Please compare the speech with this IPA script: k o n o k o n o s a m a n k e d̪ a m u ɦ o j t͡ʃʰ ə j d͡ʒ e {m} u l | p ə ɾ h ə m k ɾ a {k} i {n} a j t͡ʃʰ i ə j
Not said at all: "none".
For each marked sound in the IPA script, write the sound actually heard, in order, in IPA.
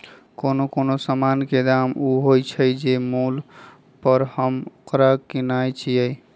m, k, n

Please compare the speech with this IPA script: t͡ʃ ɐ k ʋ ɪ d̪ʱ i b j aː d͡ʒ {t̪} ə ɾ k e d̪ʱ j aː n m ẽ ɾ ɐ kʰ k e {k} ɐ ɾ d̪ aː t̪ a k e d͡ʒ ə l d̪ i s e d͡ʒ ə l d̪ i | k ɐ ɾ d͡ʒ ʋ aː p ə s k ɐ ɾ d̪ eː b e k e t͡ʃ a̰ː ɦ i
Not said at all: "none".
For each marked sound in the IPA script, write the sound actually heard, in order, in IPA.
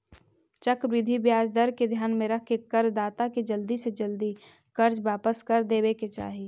d̪, k

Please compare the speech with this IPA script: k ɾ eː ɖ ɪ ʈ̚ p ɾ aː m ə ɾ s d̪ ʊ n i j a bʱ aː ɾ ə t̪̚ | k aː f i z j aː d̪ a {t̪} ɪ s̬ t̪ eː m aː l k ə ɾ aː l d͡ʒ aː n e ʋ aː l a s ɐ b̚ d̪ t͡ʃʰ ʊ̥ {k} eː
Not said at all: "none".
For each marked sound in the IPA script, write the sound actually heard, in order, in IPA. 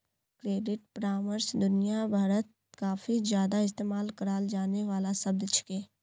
none, k

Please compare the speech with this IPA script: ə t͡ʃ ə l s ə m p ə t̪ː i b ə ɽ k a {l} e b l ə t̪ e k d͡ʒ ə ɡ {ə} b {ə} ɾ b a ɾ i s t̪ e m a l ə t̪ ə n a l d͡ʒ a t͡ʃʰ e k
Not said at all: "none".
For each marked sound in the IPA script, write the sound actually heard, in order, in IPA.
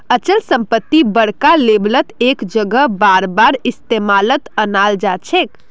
l, ə, a

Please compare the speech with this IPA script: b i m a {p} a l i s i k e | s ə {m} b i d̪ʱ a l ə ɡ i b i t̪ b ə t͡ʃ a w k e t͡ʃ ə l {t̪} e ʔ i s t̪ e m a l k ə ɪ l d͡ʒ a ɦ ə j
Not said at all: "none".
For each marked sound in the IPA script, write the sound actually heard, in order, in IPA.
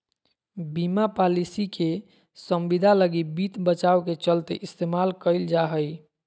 p, m, t̪

